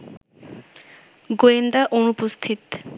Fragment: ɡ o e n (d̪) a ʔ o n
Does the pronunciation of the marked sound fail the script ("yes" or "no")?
no